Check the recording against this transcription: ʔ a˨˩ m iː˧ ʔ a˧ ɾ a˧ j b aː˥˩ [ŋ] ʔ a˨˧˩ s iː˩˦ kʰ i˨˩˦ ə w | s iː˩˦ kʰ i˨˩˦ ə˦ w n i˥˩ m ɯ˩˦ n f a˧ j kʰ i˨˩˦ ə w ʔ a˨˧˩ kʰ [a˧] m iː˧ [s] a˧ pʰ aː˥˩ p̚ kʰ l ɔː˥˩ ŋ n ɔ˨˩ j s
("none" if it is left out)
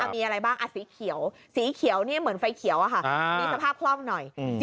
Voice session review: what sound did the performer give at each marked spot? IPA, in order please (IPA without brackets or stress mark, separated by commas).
ŋ, a˥˩, s